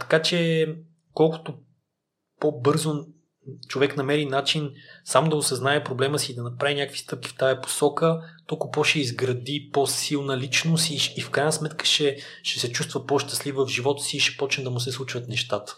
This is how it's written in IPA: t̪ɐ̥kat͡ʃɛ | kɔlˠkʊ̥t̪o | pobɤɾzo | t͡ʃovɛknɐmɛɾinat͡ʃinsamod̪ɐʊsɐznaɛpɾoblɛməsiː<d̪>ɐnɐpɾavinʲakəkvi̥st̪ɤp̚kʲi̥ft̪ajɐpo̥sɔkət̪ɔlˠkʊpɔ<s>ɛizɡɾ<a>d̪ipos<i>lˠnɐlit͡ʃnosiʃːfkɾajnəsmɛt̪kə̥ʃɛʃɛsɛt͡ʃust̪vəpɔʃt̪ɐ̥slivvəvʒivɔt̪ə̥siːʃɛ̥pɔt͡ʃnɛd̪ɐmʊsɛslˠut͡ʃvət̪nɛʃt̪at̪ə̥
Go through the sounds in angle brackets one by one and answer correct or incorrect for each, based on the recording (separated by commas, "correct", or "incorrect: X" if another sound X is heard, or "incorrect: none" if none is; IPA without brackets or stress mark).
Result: correct, incorrect: ʃ, incorrect: ɐ, correct